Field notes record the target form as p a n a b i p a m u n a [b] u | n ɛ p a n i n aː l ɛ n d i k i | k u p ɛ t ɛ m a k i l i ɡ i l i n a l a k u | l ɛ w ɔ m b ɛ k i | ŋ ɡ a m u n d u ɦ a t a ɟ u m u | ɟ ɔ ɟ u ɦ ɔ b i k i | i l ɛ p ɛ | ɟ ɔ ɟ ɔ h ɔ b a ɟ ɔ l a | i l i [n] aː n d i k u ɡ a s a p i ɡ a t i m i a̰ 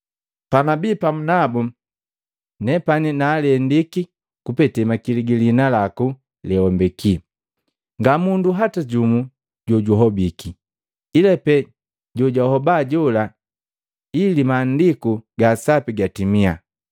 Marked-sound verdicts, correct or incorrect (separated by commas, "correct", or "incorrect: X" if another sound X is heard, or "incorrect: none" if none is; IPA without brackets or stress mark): correct, incorrect: m